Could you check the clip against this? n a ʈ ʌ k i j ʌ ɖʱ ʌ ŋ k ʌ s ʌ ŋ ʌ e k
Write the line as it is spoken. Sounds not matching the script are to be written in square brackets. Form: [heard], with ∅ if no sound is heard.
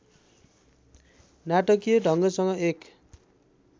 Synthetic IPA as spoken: n a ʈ ʌ k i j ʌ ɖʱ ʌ ŋ [ɡ] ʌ s ʌ ŋ ʌ e k